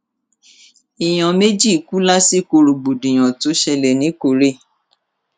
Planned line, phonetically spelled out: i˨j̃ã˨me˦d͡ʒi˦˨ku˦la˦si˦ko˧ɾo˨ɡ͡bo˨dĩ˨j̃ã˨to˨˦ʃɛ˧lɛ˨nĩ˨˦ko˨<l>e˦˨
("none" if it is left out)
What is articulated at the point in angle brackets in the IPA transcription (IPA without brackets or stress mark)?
ɾ